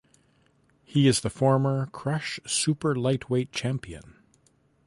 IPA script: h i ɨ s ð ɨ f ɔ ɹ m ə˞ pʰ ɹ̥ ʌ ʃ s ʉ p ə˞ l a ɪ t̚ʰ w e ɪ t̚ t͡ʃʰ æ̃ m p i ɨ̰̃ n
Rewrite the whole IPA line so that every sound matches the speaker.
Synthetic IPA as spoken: h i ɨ z ð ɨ f ɔ ɹ m ə˞ kʰ ɹ̥ ʌ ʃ s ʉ p ə˞ l a ɪ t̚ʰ w e ɪ t̚ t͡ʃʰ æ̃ m p i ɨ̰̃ n